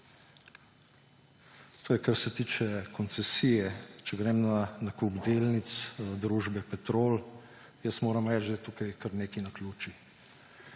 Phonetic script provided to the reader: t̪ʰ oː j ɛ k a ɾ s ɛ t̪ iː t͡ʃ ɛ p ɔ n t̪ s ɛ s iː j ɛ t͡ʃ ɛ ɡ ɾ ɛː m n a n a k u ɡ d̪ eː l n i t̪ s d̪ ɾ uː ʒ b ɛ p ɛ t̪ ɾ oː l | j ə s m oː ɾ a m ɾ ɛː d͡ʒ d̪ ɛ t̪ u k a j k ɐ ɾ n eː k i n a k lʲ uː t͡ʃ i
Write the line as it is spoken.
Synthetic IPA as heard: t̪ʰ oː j ɛ k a ɾ s ɛ t̪ iː t͡ʃ ɛ k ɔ n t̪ s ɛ s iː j ɛ t͡ʃ ɛ ɡ ɾ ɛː m n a n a k u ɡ d̪ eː l n i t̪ s d̪ ɾ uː ʒ b ɛ p ɛ t̪ ɾ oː l | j ə s m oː ɾ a m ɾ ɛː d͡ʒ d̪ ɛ t̪ u k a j k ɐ ɾ n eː k i n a k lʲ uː t͡ʃ i